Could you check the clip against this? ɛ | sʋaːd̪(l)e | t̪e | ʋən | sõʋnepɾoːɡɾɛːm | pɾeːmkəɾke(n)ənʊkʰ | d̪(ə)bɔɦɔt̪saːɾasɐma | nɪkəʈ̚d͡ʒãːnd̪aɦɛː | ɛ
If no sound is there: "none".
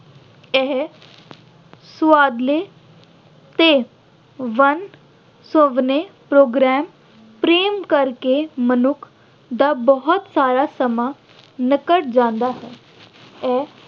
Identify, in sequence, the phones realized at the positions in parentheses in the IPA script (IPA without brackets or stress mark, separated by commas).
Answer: l, m, a